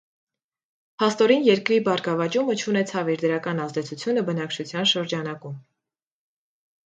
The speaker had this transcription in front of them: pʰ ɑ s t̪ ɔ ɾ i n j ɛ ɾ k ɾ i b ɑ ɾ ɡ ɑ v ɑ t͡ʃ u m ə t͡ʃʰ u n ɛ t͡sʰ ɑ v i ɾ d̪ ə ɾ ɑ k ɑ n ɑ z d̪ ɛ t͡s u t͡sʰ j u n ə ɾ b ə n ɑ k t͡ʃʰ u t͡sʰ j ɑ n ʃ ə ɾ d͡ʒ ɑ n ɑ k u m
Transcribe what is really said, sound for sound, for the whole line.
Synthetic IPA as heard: pʰ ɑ s t̪ ɔ ɾ i n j ɛ ɾ k ɾ i b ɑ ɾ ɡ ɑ v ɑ t͡ʃ u m ə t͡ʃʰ u n ɛ t͡sʰ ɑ v i ɾ d̪ ə ɾ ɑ k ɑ n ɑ z d̪ ɛ t͡sʰ u t͡sʰ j u n ə b ə n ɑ k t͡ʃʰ u t͡sʰ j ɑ n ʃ ə ɾ d͡ʒ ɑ n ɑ k u m